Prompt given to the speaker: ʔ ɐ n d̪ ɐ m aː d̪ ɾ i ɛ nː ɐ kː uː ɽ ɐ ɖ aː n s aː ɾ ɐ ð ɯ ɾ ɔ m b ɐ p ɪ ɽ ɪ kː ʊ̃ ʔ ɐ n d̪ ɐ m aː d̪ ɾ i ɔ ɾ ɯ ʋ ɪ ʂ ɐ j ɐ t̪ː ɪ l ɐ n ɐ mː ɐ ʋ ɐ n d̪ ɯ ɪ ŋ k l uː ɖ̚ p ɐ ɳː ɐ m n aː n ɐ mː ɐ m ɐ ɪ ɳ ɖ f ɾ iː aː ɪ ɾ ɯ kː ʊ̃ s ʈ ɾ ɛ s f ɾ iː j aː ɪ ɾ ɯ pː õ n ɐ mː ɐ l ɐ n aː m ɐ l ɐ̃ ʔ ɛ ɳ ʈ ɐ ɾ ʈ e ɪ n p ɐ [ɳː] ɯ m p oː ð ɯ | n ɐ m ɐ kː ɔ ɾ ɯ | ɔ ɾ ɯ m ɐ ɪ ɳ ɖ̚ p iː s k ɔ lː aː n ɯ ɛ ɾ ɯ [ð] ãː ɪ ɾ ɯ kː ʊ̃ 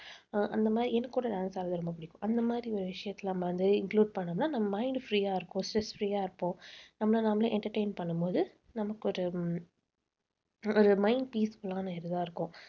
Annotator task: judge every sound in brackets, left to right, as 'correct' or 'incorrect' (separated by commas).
correct, correct